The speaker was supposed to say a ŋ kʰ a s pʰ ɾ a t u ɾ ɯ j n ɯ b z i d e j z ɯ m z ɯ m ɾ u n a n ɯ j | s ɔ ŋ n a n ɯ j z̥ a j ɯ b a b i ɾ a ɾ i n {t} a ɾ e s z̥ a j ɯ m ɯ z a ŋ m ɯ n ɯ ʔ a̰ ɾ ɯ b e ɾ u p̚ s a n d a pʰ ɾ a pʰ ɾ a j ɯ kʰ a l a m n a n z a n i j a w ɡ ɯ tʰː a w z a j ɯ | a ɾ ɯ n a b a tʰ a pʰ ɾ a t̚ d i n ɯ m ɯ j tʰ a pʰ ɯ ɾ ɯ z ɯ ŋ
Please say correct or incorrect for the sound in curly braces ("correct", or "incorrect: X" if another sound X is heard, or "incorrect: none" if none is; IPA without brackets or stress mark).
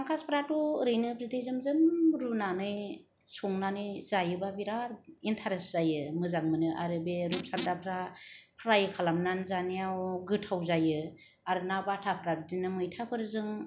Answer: incorrect: tʰ